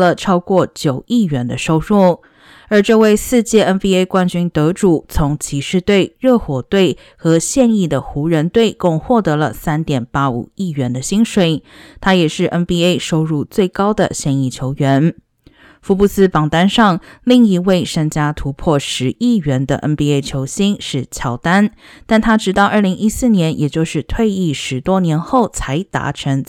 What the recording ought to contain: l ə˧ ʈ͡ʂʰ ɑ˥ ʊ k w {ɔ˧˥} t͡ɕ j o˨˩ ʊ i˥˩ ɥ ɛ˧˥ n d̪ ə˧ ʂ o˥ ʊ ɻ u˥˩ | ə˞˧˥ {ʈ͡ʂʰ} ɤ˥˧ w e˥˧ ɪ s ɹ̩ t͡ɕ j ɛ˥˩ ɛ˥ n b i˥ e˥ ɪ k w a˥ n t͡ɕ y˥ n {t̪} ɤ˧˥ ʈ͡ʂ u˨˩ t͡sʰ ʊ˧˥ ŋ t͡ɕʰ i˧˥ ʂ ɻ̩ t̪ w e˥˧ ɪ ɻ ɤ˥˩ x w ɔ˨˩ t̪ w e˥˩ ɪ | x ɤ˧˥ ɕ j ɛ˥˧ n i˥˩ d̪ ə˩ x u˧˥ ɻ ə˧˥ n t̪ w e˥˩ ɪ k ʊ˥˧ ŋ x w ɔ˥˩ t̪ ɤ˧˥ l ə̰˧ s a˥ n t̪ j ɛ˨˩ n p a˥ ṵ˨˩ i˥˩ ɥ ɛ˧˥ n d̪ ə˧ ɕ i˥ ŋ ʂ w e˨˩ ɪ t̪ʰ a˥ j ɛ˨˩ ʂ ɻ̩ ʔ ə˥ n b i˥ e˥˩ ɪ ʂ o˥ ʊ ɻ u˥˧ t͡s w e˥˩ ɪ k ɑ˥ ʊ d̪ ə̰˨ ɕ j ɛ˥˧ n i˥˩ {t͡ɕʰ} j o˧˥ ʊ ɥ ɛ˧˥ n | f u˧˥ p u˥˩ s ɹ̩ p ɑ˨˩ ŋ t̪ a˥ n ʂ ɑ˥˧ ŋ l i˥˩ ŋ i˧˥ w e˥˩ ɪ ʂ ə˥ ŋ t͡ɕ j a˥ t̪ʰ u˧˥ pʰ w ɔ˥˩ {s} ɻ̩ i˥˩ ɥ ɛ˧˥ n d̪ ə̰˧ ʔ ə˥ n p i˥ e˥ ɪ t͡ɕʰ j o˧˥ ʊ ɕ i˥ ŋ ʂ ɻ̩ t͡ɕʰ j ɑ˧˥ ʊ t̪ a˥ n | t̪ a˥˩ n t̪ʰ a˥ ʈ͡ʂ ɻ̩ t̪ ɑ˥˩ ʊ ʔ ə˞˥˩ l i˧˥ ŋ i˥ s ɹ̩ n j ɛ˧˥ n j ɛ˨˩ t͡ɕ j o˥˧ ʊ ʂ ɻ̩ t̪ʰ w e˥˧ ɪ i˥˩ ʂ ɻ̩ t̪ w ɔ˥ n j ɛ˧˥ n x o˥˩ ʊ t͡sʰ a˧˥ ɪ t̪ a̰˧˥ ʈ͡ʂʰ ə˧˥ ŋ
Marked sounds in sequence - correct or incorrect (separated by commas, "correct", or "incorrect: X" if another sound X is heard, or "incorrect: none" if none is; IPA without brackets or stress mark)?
incorrect: ɔ˥˩, incorrect: ʈ͡ʂ, correct, correct, incorrect: ʂ